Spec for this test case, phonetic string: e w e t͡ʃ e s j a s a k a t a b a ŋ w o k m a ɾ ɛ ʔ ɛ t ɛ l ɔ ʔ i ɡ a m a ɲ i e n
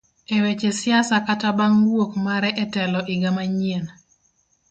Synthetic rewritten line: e w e t͡ʃ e s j a s a k a t a b a ŋ w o k m a ɾ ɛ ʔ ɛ t ɛ l ɔ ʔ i ɡ a m a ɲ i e n